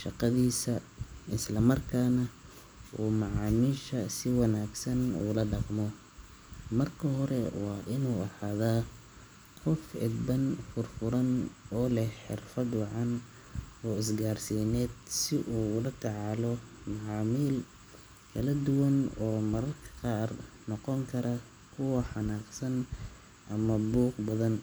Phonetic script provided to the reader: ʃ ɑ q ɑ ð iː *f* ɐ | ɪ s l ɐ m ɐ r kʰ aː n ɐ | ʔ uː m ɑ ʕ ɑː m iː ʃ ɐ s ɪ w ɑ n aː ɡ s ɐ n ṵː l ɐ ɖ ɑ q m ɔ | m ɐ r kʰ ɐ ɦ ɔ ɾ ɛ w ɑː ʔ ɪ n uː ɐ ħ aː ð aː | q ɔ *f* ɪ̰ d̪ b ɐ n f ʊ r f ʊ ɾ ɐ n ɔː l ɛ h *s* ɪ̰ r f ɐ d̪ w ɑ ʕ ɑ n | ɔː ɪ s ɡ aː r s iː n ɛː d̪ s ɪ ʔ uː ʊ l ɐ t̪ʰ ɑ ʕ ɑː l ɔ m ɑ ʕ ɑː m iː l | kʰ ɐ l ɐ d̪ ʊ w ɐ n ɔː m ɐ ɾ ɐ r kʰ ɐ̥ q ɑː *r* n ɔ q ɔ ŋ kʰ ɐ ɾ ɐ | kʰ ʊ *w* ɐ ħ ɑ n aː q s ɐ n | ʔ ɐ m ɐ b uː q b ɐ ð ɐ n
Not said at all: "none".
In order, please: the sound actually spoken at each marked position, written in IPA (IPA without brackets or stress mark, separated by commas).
s, f, ħ, r, w